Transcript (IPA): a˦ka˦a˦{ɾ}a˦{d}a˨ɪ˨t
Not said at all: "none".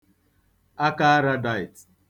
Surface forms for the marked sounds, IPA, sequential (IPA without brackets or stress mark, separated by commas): ɾ, d